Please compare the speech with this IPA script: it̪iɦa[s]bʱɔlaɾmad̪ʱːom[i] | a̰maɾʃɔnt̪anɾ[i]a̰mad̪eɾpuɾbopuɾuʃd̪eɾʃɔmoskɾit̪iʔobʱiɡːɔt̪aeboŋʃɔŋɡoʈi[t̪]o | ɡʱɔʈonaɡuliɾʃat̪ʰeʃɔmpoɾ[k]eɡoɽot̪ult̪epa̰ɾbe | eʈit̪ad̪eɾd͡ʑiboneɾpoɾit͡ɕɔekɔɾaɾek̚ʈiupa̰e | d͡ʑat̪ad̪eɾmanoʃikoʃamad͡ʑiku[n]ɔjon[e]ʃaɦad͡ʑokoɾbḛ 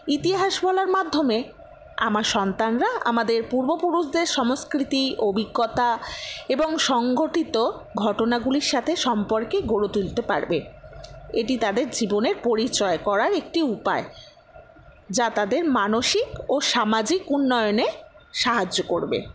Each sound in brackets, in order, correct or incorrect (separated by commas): incorrect, incorrect, incorrect, correct, correct, incorrect, correct